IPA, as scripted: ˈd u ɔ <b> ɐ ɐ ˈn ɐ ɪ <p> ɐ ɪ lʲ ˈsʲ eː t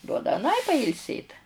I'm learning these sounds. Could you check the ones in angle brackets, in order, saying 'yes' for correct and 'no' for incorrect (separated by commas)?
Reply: no, yes